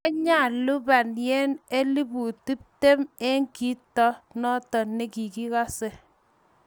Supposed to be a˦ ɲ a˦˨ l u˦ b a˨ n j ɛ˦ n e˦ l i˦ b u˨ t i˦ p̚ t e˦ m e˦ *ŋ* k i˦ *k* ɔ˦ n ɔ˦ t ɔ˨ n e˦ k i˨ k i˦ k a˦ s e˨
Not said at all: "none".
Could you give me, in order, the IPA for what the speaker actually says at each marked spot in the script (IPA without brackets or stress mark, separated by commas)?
ŋ, t